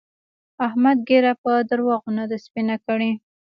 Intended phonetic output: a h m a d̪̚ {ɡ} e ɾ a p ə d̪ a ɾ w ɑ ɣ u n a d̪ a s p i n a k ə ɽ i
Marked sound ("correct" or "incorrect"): correct